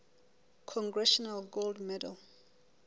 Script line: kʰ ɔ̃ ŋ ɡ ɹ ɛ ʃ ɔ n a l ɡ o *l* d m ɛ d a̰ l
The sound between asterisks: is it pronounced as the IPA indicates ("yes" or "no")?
yes